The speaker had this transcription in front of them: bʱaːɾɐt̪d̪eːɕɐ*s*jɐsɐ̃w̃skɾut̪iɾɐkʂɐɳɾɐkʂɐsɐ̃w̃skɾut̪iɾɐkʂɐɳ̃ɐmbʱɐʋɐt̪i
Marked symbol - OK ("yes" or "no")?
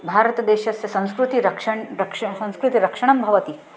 yes